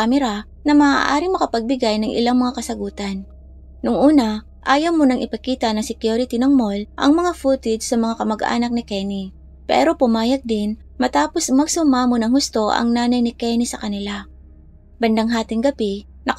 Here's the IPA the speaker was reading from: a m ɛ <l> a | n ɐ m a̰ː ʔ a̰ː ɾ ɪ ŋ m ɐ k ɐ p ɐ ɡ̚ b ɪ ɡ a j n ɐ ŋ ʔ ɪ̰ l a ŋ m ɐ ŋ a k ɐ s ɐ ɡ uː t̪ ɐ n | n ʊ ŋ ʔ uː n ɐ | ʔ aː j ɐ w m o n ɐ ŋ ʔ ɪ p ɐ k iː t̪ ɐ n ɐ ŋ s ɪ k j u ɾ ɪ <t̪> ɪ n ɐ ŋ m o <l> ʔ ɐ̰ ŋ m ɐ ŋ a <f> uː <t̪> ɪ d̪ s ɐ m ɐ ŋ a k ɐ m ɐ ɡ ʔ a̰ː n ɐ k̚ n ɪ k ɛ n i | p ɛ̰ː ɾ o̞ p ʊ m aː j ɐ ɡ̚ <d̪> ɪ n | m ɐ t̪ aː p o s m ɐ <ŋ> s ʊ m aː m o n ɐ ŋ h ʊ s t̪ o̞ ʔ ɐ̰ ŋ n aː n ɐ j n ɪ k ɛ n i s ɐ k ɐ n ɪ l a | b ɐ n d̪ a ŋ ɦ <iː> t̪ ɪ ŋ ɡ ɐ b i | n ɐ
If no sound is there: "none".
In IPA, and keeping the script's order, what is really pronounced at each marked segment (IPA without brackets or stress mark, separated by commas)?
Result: ɾ, t̪, l, f, t̪, d̪, ɡ, aː